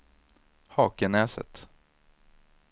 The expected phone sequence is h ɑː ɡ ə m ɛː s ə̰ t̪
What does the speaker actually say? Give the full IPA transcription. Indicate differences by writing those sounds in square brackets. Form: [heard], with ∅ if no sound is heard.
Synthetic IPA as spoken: h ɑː [k] ə [n] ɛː s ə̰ t̪